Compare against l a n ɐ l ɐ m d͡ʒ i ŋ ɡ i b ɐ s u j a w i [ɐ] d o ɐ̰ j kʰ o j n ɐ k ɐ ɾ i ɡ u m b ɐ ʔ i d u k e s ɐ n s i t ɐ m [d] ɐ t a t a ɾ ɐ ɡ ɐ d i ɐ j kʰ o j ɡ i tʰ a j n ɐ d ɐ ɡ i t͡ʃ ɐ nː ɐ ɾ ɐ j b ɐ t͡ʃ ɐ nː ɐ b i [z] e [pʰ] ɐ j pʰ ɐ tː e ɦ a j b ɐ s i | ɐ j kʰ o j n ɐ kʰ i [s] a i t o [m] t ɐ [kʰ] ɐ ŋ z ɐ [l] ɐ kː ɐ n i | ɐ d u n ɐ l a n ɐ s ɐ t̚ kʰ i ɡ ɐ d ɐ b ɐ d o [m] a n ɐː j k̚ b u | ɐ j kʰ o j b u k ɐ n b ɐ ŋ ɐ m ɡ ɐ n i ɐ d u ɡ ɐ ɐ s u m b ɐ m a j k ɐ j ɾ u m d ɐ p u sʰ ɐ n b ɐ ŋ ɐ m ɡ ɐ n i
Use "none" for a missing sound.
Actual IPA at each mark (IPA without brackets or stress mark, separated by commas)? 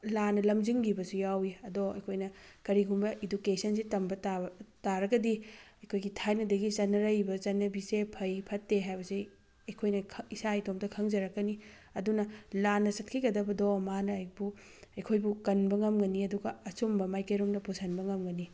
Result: ɐ, b, s, pʰ, s, m, kʰ, ɾ, m